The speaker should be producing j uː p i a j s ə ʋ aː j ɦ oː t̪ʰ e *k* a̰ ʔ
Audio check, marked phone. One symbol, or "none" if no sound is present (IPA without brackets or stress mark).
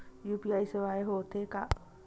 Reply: k